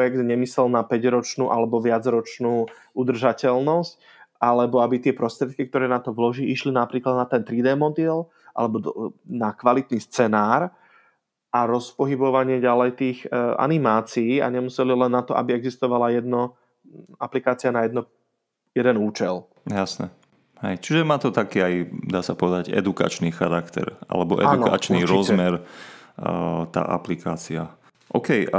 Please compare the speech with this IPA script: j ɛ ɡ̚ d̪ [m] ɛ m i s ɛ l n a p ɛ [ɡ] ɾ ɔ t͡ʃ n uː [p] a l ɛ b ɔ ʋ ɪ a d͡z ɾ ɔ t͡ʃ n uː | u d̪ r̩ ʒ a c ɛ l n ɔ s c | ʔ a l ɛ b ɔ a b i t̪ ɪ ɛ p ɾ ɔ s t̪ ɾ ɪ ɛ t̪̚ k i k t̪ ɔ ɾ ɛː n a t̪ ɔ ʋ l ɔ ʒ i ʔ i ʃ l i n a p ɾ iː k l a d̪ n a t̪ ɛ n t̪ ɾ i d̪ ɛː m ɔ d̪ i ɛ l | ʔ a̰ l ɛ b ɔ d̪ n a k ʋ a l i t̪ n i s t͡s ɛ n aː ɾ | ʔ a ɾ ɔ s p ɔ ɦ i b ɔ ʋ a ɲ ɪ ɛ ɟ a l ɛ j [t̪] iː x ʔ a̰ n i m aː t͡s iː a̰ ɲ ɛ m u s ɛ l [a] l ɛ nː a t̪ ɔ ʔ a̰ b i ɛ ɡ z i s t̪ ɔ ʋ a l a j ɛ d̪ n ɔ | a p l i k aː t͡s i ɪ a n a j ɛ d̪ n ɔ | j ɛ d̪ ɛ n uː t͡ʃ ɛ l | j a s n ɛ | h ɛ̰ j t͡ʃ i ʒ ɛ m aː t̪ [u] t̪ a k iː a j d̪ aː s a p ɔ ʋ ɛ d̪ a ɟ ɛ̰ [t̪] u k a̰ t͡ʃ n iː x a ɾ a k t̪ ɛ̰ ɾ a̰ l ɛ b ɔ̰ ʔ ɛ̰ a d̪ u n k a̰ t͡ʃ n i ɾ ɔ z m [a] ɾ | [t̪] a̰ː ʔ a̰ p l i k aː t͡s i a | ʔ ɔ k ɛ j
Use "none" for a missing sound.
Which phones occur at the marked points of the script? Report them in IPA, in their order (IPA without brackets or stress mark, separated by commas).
ɲ, ɟ, ʔ, t̪, i, ɔ, d̪, ɛ, t̪